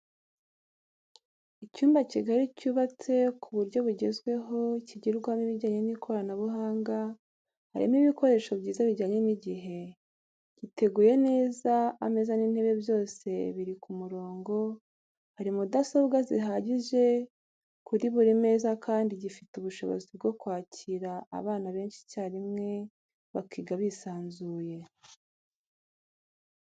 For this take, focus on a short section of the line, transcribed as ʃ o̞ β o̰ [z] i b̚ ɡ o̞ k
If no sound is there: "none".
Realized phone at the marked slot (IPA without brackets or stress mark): z